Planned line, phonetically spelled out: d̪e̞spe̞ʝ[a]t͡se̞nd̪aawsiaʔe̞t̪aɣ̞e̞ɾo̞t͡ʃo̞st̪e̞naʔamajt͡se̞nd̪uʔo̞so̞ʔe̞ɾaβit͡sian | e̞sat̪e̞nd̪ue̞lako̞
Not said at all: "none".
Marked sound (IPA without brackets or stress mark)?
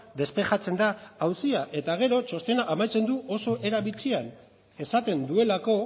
a